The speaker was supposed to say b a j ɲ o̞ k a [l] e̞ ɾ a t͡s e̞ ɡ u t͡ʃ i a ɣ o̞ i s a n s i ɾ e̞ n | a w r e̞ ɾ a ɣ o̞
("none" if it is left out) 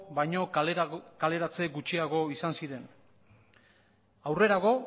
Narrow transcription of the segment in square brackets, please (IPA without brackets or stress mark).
l